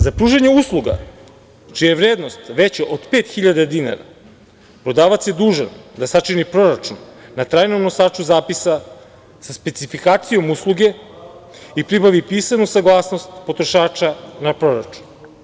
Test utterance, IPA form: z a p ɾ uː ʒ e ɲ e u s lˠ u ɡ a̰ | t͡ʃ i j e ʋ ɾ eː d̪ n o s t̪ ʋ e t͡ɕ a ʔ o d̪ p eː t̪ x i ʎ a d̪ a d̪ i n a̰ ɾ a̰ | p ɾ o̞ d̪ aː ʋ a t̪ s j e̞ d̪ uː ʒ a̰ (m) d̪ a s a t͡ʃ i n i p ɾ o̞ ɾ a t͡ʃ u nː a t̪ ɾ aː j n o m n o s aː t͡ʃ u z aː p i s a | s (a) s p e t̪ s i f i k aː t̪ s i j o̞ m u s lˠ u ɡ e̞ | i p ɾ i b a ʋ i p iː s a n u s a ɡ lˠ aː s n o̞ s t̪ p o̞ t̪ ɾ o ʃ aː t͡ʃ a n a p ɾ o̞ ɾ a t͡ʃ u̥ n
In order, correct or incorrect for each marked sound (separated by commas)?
incorrect, correct